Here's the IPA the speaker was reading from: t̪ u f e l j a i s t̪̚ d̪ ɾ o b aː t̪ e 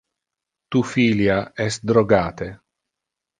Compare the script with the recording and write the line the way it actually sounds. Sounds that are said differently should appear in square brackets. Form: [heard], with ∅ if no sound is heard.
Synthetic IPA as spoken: t̪ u f [i] l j a [ɛ] s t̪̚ d̪ ɾ o [ɡ] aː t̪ e